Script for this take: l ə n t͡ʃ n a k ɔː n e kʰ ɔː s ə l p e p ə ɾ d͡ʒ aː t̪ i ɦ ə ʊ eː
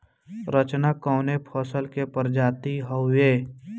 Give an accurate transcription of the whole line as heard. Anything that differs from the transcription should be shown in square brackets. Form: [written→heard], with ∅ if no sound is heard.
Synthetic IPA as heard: [l→ɾ] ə [n→∅] t͡ʃ n a k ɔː n e [kʰ→pʰ] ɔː s ə l [p→k] e p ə ɾ d͡ʒ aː t̪ i ɦ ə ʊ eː